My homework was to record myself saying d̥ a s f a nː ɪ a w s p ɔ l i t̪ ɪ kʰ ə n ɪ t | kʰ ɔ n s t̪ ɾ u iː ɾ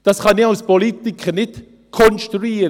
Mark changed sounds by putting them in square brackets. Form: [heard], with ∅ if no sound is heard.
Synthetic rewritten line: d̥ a s [χ] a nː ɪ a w s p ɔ l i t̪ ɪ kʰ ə n ɪ t | kʰ ɔ n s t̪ ɾ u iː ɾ